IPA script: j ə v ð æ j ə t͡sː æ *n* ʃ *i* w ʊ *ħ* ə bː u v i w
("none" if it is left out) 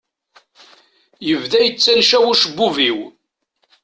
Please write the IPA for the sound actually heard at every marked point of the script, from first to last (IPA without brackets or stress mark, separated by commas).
n, æ, ʃ